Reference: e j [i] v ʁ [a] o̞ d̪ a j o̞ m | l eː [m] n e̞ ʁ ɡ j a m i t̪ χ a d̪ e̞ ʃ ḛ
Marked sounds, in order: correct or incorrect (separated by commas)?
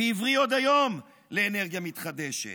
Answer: correct, incorrect, incorrect